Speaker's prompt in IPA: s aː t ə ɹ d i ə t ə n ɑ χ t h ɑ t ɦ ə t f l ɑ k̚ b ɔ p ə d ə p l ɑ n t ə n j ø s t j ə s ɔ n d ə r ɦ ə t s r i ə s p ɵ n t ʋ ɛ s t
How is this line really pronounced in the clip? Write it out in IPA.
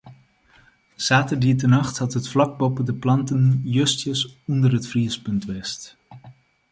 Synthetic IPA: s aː t ə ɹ d i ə t ə n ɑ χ t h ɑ t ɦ ə t f l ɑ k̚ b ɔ p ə d ə p l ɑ n t ə n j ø s t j ə s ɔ n d ə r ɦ ə t f r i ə s p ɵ n t ʋ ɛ s t